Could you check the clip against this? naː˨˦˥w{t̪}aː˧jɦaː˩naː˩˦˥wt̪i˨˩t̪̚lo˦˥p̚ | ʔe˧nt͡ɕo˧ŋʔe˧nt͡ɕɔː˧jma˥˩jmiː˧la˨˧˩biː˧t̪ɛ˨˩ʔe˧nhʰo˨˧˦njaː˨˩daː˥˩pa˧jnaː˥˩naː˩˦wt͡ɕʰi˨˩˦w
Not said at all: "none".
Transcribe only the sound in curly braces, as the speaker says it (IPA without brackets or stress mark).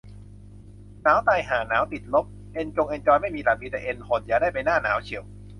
t̪